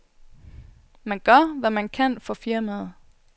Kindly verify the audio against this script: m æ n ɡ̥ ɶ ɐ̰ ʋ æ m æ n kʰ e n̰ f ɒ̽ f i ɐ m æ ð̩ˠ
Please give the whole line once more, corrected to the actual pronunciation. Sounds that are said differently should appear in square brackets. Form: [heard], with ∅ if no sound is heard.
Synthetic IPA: m æ n ɡ̥ ɶ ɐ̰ ʋ æ m æ n kʰ [æ] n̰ f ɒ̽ f i ɐ m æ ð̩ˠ